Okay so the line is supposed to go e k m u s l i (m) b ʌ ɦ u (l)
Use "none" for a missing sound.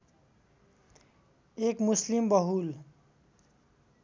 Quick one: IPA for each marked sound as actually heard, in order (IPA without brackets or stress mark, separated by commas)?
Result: m, l